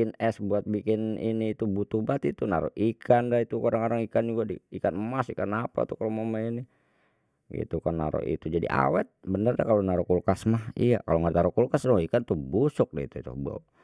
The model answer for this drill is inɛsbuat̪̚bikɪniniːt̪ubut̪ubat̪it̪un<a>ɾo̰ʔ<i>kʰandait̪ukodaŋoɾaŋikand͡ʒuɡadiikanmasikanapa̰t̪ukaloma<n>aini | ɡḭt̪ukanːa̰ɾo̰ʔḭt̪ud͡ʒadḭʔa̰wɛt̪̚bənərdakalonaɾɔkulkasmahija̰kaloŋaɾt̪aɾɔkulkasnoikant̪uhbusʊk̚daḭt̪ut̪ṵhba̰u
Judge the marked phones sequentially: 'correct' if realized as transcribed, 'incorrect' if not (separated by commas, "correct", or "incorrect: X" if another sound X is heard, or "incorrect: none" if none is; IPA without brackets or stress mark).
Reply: correct, correct, incorrect: m